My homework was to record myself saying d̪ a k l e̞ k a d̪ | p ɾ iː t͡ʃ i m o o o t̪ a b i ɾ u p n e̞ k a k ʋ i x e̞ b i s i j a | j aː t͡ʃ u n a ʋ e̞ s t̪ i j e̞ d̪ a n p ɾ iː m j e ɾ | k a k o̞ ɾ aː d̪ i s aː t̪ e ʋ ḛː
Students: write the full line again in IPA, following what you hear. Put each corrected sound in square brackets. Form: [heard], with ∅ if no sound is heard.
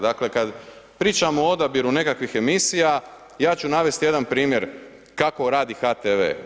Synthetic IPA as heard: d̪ a k l e̞ k a d̪ | p ɾ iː t͡ʃ [a] m o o o [d̪] a b i ɾ u [∅] n e̞ k a k ʋ i x e̞ [m] i s i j a | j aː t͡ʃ u n a ʋ e̞ s t̪ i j e̞ d̪ a n p ɾ iː m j e ɾ | k a k o̞ ɾ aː d̪ i [x] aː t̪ e ʋ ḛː